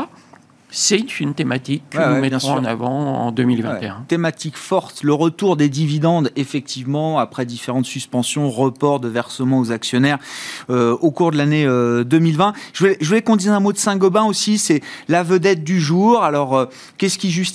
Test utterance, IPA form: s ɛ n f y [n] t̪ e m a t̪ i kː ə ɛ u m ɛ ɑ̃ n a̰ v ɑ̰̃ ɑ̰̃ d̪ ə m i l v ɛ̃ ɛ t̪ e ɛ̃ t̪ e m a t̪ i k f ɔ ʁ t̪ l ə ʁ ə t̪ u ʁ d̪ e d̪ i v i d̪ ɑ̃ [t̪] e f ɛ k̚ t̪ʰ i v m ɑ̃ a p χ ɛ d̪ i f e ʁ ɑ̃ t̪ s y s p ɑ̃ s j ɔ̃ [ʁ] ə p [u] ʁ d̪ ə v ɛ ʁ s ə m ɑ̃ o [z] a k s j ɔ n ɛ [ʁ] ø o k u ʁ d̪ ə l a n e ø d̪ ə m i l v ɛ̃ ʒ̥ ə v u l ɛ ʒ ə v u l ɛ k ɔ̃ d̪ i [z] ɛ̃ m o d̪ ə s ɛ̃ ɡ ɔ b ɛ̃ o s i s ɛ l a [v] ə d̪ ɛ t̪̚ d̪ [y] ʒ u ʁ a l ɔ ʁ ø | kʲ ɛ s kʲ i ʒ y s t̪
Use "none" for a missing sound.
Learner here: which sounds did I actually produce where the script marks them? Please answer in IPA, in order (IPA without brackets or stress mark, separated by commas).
n, d̪, ʁ, ɔ, z, ʁ, z, v, y